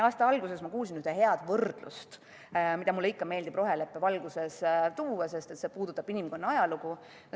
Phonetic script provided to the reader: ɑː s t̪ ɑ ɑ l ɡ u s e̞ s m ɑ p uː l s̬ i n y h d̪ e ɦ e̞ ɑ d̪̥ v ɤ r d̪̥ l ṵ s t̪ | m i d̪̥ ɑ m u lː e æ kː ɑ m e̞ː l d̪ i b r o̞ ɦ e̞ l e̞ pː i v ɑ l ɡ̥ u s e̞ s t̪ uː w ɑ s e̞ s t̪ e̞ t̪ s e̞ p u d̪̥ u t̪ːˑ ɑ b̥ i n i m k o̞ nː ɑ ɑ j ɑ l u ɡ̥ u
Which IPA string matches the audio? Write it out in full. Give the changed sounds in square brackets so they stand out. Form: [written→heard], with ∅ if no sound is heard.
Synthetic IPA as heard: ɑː s t̪ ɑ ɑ l ɡ u s e̞ s m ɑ [p→k] uː l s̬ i n y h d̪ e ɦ e̞ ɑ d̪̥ v ɤ r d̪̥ l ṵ s t̪ | m i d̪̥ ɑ m u lː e [æ→i] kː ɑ m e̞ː l d̪ i b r o̞ ɦ e̞ l e̞ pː [i→e] v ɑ l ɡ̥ u s e̞ s t̪ uː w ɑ s e̞ s t̪ e̞ t̪ s e̞ p [u→uː] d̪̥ u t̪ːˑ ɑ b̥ i n i m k o̞ nː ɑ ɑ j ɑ l u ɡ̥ u